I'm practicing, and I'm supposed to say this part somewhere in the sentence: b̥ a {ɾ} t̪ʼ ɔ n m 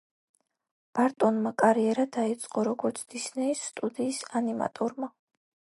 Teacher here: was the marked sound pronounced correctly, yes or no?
yes